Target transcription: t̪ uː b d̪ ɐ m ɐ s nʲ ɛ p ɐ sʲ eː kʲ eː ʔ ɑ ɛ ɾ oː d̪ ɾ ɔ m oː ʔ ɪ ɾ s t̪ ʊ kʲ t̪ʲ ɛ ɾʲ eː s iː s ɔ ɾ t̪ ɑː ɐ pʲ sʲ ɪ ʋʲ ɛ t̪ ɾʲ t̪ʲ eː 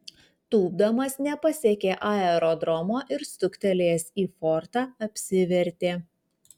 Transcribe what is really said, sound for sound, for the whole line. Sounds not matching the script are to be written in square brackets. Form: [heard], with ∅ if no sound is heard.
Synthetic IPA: t̪ uː b d̪ ɐ m ɐ s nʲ ɛ p ɐ sʲ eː kʲ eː ʔ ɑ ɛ ɾ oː d̪ ɾ ɔ m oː ʔ ɪ ɾ s t̪ ʊ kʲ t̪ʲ ɛ [lʲ] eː s iː [f] ɔ ɾ t̪ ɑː ɐ pʲ sʲ ɪ ʋʲ ɛ [∅] ɾʲ t̪ʲ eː